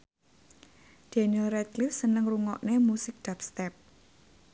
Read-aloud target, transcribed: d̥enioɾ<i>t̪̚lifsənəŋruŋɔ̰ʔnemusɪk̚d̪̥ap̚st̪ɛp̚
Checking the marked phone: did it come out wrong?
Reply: yes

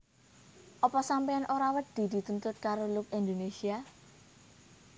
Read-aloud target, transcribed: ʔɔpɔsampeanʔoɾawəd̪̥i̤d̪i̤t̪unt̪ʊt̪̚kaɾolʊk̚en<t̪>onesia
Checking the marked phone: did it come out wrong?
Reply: yes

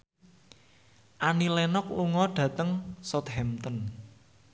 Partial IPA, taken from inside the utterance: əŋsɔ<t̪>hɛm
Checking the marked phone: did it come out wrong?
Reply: no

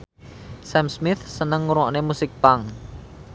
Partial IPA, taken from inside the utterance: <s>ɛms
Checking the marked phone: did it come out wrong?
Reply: no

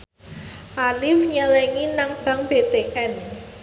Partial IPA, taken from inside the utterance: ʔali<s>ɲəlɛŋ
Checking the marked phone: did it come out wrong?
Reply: yes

